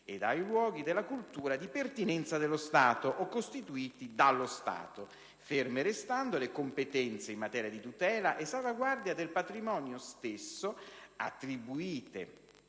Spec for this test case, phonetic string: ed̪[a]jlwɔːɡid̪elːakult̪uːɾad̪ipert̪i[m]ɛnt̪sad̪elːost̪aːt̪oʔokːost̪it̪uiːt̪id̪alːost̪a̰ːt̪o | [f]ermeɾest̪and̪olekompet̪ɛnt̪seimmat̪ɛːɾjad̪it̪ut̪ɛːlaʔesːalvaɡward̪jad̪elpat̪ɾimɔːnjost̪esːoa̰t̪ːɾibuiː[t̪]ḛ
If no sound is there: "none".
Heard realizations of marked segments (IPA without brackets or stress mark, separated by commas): a, n, f, t̪